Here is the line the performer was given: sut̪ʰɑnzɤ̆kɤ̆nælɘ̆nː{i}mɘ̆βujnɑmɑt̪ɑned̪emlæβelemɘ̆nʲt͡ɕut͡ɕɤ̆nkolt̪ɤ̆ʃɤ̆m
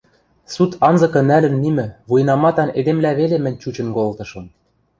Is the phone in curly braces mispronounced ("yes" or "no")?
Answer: no